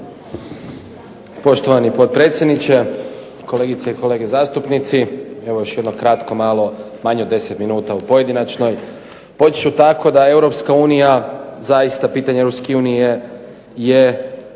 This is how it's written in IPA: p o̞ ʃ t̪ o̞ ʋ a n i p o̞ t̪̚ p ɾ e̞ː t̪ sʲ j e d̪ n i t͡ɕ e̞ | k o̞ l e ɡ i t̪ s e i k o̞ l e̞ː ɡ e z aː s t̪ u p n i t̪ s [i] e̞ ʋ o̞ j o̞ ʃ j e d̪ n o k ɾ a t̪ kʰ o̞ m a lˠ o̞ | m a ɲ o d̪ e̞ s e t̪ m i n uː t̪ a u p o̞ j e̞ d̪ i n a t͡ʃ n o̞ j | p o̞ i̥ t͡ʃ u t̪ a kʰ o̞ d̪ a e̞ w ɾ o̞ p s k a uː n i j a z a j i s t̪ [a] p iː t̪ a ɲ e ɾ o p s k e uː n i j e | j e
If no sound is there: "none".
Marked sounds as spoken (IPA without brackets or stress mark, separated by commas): i, a